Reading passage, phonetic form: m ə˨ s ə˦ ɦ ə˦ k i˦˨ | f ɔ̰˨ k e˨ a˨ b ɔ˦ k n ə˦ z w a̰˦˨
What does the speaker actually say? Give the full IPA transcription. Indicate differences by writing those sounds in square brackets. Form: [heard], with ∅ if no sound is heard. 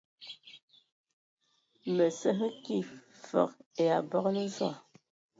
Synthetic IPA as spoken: m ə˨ s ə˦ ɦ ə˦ k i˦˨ | f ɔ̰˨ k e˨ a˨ b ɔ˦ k n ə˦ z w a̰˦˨